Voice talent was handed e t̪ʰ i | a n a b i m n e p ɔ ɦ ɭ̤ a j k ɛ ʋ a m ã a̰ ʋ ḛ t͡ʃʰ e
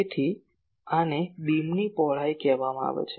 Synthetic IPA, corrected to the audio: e t̪ʰ i | a n e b i m n i p ɔ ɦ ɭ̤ a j k ɛ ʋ a m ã a̰ ʋ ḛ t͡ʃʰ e

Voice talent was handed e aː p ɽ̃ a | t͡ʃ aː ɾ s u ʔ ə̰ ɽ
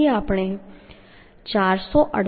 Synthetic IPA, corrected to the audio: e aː p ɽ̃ e | t͡ʃ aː ɾ s ɔ ʔ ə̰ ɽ

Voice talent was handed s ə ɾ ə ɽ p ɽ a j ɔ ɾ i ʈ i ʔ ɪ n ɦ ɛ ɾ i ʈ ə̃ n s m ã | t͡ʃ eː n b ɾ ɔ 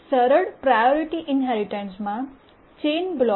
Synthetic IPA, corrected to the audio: s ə ɾ ə ɽ p ɾ a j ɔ ɾ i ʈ i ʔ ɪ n ɦ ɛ ɾ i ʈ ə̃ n s m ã | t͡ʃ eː n b l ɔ

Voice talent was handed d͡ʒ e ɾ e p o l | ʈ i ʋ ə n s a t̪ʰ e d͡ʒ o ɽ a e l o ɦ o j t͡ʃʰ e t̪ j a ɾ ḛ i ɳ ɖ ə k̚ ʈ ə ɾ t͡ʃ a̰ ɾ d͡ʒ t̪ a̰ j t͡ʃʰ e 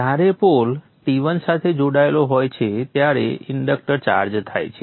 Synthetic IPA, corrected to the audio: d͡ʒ a ɾ e p o l | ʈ i ʋ ə n s a t̪ʰ e d͡ʒ o ɽ a e l o ɦ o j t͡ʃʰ e t̪ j a ɾ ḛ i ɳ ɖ ə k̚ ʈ ə ɾ t͡ʃ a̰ ɾ d͡ʒ t̪ʰ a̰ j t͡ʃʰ e

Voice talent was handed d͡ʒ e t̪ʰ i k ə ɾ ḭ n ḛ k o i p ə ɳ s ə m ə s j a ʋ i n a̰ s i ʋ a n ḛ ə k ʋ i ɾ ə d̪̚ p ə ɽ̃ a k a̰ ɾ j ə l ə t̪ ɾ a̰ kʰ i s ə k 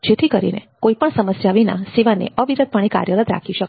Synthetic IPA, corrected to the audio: d͡ʒ e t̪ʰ i k ə ɾ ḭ n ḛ k o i p ə ɳ s ə m ə s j a ʋ i n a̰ s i ʋ a n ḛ ə ʋ i ɾ ə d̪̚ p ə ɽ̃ i k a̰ ɾ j ə l ə t̪ ɾ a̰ kʰ i ʃ ə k

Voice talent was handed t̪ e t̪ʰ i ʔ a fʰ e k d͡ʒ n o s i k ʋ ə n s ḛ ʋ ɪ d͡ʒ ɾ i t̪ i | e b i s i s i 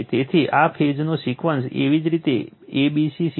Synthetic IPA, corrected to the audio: t̪ e t̪ʰ i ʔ a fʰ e d͡ʒ n o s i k ʋ ə n s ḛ ʋ i d͡ʒ ɾ i t̪ e | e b i s i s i

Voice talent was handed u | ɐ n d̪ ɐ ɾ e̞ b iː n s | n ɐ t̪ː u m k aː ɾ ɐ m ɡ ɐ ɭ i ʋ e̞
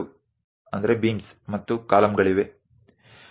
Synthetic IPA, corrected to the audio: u | ɐ n d̪ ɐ ɾ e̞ b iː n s | m ɐ t̪ː u k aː l ɐ m ɡ ɐ ɭ i ʋ e̞

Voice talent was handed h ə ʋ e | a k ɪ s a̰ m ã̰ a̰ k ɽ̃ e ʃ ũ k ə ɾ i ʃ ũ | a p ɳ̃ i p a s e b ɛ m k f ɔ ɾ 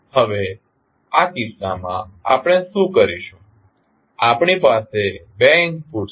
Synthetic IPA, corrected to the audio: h ə ʋ e | a k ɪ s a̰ m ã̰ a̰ p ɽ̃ e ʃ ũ k ə ɾ i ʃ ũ | a p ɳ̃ i p a s e b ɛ ŋ k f u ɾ

